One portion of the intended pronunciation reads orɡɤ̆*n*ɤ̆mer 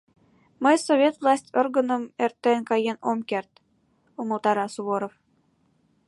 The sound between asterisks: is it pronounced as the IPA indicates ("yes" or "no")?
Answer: yes